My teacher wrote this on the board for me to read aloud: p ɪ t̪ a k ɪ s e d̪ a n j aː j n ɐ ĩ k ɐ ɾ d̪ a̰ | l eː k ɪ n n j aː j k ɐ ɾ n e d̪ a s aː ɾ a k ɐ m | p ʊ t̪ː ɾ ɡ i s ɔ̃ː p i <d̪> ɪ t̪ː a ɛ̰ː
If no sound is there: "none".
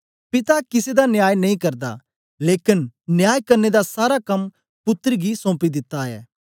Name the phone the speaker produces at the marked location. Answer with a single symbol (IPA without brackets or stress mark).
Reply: d̪